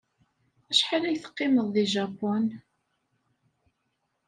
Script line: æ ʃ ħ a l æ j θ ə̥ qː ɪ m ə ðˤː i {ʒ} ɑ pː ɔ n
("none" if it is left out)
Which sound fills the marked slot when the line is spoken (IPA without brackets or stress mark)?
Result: ʒ